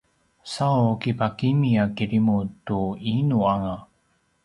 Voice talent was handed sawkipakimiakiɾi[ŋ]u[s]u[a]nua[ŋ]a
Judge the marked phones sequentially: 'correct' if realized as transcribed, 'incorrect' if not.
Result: incorrect, incorrect, incorrect, correct

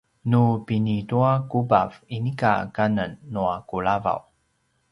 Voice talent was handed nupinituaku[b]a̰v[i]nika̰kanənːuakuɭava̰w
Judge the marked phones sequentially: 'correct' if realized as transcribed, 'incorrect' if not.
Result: correct, correct

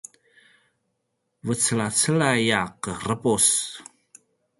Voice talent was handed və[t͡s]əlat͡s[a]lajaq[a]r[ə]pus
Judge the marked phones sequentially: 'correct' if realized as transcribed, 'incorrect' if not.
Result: correct, incorrect, incorrect, correct

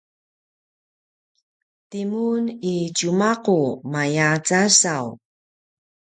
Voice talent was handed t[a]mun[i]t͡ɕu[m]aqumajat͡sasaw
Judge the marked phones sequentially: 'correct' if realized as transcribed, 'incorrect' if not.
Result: incorrect, correct, correct

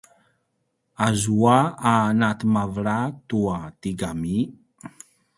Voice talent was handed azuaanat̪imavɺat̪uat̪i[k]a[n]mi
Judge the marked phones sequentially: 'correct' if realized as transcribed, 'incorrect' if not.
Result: incorrect, incorrect

